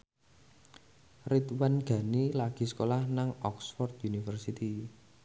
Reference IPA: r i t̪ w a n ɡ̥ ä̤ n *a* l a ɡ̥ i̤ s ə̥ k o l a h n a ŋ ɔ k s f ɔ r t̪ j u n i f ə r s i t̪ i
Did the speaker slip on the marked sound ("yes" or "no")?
yes